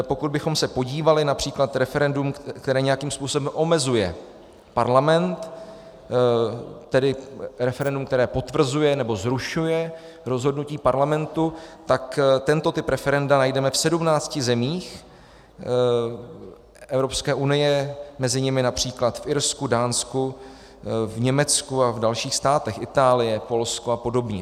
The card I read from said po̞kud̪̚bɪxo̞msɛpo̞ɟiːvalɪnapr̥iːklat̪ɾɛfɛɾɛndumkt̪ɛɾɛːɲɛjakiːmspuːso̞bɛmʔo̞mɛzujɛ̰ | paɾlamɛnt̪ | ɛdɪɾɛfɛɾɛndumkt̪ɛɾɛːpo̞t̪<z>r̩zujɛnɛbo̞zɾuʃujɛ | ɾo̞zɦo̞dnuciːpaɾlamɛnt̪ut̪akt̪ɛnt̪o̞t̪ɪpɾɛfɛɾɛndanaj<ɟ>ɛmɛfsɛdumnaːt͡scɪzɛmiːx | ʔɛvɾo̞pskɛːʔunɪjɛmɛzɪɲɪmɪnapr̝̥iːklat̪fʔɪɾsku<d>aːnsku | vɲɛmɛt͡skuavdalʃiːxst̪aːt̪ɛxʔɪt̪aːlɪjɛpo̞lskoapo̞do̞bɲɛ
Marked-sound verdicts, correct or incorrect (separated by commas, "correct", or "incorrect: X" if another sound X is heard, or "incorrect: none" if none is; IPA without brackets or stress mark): incorrect: v, incorrect: d, correct